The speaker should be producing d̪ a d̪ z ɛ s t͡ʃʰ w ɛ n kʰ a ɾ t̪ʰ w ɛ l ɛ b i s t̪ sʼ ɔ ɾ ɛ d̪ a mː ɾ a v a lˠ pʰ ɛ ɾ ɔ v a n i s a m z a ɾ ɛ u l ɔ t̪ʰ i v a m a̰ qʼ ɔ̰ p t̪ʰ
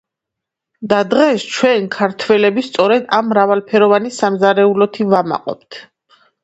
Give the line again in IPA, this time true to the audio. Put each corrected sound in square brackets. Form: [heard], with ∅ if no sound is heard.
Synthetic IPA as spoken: d̪ a d̪ [ʁ] ɛ s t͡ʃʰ w ɛ n kʰ a ɾ t̪ʰ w ɛ l ɛ b i s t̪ sʼ ɔ ɾ ɛ d̪ a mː ɾ a v a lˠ pʰ ɛ ɾ ɔ v a n i s a m z a ɾ ɛ u l ɔ t̪ʰ i v a m a̰ qʼ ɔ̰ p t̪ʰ

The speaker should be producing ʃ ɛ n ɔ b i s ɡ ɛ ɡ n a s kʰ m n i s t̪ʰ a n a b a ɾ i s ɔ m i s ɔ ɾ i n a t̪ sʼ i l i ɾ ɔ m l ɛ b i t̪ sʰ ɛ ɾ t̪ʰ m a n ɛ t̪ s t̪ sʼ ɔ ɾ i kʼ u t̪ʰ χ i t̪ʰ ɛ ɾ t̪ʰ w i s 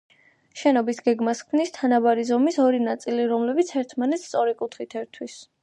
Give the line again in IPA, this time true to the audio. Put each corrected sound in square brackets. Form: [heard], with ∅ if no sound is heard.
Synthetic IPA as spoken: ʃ ɛ n ɔ b i s ɡ ɛ ɡ [m] a s kʰ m n i s t̪ʰ a n a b a ɾ i [z] ɔ m i s ɔ ɾ i n a t̪ sʼ i l i ɾ ɔ m l ɛ b i t̪ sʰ ɛ ɾ t̪ʰ m a n ɛ t̪ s t̪ sʼ ɔ ɾ i kʼ u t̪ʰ χ i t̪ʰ ɛ ɾ t̪ʰ w i s

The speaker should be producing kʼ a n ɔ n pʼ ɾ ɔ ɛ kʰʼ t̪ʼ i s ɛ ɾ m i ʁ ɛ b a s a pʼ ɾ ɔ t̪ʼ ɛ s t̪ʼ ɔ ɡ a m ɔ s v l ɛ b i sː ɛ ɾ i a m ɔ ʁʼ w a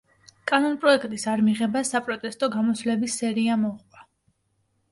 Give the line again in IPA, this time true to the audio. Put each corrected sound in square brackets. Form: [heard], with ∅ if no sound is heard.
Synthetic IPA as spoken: kʼ a n ɔ n pʼ ɾ ɔ ɛ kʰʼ t̪ʼ i s [a] ɾ m i ʁ ɛ b a s a pʼ ɾ ɔ t̪ʼ ɛ s t̪ʼ ɔ ɡ a m ɔ s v l ɛ b i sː ɛ ɾ i a m ɔ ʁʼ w a

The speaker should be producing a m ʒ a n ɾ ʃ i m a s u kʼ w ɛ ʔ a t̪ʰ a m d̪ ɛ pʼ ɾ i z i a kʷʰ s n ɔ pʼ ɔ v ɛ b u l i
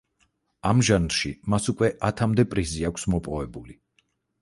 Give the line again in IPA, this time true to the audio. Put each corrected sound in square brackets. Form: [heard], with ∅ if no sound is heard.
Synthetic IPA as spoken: a m ʒ a n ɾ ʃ i m a s u kʼ w ɛ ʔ a t̪ʰ a m d̪ ɛ pʼ ɾ i z i a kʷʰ s [m] ɔ pʼ ɔ v ɛ b u l i

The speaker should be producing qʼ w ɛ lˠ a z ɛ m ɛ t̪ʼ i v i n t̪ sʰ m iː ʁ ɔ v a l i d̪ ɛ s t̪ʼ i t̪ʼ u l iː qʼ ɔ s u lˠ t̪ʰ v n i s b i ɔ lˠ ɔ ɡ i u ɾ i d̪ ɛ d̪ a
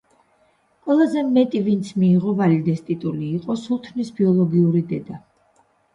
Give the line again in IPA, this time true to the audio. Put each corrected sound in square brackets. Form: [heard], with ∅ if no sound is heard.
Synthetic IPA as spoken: qʼ w ɛ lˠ a z ɛ m ɛ t̪ʼ i v i n t̪ sʰ m iː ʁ ɔ v a l i d̪ ɛ s t̪ʼ i t̪ʼ u l iː qʼ ɔ s u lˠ t̪ʰ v n i s b i ɔ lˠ ɔ ɡ i u ɾ i d̪ ɛ d̪ a

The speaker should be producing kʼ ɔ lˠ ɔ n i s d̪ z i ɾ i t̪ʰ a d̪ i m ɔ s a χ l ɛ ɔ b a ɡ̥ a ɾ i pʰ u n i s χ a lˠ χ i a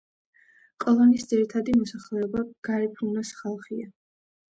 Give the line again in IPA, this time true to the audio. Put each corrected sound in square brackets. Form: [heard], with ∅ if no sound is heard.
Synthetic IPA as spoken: kʼ ɔ lˠ ɔ n i s d̪ z i ɾ i t̪ʰ a d̪ i m ɔ s a χ l ɛ ɔ b a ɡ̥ a ɾ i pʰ u n [a] s χ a lˠ χ i a

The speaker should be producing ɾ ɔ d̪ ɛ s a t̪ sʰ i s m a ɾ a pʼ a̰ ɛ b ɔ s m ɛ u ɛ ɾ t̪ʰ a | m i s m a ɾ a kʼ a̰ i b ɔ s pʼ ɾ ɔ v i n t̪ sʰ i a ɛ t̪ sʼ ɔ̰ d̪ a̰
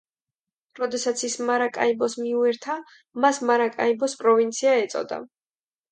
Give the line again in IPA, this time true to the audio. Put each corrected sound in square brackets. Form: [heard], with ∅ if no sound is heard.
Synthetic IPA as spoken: ɾ ɔ d̪ ɛ s a t̪ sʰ i s m a ɾ a [kʼ] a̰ [i] b ɔ s m [i] u ɛ ɾ t̪ʰ a | m [a] s m a ɾ a kʼ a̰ i b ɔ s pʼ ɾ ɔ v i n t̪ sʰ i a ɛ t̪ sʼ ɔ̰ d̪ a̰

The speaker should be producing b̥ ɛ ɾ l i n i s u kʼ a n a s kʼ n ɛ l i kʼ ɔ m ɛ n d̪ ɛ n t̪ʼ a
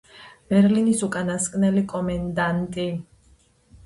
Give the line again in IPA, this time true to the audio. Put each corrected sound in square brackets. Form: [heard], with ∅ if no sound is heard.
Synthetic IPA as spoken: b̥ ɛ ɾ l i n i s u kʼ a n a s kʼ n ɛ l i kʼ ɔ m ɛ n d̪ [a] n t̪ʼ [i]

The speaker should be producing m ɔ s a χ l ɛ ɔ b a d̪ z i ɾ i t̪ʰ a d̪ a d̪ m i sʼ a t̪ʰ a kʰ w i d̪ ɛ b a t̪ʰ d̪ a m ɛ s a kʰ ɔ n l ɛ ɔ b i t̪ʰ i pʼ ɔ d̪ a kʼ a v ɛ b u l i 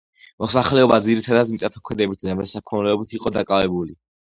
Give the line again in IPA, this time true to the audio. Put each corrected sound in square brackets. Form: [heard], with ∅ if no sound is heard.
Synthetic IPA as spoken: m ɔ s a χ l ɛ ɔ b a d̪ z i ɾ i t̪ʰ a d̪ a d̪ m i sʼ a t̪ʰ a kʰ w [ɛ] d̪ ɛ b [i] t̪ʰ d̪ a m ɛ s a kʰ ɔ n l ɛ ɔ b i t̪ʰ i [qʼ] ɔ d̪ a kʼ a v ɛ b u l i

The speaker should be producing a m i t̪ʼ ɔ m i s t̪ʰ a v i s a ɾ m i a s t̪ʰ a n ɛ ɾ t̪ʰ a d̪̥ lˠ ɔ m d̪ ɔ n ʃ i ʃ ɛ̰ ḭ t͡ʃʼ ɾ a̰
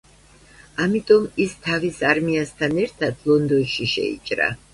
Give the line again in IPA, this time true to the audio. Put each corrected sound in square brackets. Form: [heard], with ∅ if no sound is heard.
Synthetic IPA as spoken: a m i t̪ʼ ɔ m i s t̪ʰ a v i s a ɾ m i a s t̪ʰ a n ɛ ɾ t̪ʰ a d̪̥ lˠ ɔ [n] d̪ ɔ n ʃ i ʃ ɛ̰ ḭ t͡ʃʼ ɾ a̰

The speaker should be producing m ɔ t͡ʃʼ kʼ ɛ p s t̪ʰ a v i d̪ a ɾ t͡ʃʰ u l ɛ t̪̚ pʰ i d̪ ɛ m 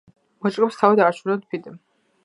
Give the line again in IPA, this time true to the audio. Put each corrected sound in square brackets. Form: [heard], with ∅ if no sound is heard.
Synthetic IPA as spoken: m ɔ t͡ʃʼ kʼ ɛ p s t̪ʰ a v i d̪ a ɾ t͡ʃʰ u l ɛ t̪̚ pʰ i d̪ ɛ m

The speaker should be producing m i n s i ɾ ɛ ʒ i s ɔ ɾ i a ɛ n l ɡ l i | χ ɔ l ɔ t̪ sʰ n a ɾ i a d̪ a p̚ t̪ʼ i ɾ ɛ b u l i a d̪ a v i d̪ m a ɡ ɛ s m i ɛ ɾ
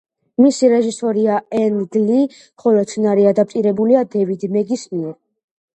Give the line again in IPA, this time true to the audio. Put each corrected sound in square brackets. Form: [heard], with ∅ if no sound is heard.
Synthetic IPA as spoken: m i [∅] s i ɾ ɛ ʒ i s ɔ ɾ i a ɛ n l ɡ l i | χ ɔ l ɔ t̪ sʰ n a ɾ i a d̪ a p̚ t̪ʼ i ɾ ɛ b u l i a d̪ [ɛ] v i d̪ m [ɛ] ɡ [i] s m i ɛ ɾ

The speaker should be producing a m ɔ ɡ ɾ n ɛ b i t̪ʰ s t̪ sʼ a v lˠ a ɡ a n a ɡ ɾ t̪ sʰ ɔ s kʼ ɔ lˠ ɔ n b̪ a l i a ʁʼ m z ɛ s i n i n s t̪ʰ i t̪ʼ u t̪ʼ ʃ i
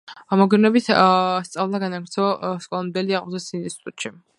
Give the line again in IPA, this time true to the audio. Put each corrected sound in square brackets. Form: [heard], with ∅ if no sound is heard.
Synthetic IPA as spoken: a m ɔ ɡ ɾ n ɛ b i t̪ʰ s t̪ sʼ a v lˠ a ɡ a n a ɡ ɾ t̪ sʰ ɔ s kʼ ɔ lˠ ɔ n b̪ [ɛ] l i a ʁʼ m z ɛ s i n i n s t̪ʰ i t̪ʼ u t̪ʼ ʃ i

